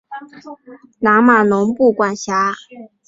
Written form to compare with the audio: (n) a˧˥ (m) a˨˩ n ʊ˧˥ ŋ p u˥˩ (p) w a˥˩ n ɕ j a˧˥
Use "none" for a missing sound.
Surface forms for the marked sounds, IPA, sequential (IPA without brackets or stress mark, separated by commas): n, m, k